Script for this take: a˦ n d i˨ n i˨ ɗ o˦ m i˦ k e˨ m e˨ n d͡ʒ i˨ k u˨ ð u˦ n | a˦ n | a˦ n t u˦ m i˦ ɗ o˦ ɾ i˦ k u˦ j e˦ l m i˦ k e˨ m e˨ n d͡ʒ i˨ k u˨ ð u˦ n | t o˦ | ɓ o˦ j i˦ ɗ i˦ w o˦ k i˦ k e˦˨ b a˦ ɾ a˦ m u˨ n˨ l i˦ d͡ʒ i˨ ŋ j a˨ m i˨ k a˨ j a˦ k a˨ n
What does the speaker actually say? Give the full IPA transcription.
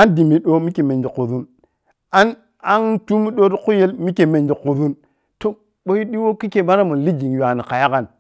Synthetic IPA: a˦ n d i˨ m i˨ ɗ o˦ m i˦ k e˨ m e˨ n d͡ʒ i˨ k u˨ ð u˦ n | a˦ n | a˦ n t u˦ m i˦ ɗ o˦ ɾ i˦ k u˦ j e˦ l m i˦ k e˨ m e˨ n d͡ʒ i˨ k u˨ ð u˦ n | t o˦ | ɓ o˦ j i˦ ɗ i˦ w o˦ k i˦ k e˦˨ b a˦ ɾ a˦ m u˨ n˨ l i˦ d͡ʒ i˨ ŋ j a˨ n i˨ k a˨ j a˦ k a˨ n